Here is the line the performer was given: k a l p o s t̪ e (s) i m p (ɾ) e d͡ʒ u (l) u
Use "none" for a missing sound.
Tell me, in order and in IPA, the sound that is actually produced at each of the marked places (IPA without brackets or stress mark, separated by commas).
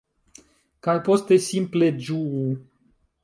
s, l, none